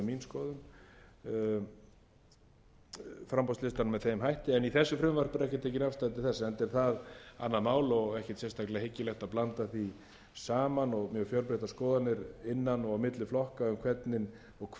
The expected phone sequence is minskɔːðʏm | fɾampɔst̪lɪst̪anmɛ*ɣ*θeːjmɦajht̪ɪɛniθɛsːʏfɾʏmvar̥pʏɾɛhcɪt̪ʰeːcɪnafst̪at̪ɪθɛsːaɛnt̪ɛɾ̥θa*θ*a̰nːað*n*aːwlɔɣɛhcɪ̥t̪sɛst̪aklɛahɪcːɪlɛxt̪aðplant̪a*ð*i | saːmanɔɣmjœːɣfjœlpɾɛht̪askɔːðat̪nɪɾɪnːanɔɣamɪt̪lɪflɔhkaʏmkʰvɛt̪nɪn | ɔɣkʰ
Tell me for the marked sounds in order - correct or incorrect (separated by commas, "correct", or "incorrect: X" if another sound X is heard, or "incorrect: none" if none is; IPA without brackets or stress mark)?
incorrect: ð, incorrect: ð, incorrect: m, incorrect: θ